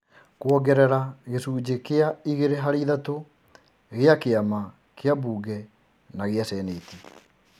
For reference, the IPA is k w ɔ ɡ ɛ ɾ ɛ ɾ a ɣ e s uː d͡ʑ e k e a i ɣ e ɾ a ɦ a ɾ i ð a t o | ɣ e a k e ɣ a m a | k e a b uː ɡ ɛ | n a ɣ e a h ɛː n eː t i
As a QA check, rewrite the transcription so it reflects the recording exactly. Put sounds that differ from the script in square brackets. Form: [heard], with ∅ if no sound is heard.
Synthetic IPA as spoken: k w ɔ ɡ ɛ ɾ ɛ ɾ a ɣ e s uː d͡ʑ e k e a i ɣ e ɾ [e] ɦ a ɾ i ð a t o | ɣ e a k e [∅] a m a | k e a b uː ɡ ɛ | n a ɣ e a [s] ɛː n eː t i